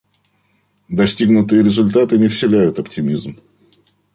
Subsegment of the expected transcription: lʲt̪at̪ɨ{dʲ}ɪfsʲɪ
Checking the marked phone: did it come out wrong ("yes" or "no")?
yes